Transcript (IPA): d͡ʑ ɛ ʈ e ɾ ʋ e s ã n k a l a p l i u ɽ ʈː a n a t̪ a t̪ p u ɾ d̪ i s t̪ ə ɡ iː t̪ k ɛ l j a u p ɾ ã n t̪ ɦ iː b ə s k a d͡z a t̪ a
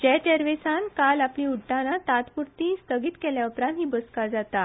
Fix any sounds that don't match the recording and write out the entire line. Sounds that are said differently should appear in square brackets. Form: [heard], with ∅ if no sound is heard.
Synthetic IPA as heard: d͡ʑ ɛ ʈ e ɾ ʋ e s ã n k a l a p l i u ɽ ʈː a n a t̪ a t̪ p u ɾ [t̪] i s t̪ ə ɡ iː t̪ k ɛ l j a u p ɾ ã n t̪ ɦ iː b ə s k a d͡z a t̪ a